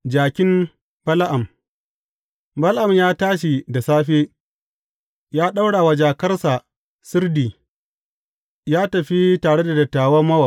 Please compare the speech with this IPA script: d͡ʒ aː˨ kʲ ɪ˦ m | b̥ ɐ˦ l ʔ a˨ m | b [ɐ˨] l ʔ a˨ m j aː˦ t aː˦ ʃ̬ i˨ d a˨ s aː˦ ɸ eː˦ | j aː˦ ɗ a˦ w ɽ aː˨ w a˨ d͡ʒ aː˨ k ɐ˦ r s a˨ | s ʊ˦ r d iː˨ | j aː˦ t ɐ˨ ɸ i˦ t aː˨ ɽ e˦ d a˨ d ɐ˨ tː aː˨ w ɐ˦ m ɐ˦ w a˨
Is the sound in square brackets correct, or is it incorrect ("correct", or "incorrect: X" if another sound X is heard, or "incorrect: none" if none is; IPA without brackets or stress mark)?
incorrect: ɐ˦